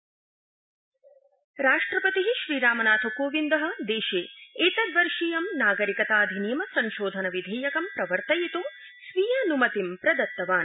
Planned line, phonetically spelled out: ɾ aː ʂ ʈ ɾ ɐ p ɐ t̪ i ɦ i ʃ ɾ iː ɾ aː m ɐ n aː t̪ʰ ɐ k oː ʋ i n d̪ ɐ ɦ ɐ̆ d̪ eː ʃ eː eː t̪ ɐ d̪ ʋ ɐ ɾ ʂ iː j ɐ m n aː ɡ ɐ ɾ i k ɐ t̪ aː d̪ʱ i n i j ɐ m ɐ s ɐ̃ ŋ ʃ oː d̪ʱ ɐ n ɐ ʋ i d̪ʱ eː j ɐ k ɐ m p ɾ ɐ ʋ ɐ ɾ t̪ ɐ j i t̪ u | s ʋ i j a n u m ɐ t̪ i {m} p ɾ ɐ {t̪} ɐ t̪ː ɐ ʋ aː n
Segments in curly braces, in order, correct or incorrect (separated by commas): correct, incorrect